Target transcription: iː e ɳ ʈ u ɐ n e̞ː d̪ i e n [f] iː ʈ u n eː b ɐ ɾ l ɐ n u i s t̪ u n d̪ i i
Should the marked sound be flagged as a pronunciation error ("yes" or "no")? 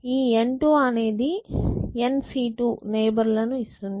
yes